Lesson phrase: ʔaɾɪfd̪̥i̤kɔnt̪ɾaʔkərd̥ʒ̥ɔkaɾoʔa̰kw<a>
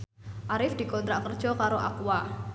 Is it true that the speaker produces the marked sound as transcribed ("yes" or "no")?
yes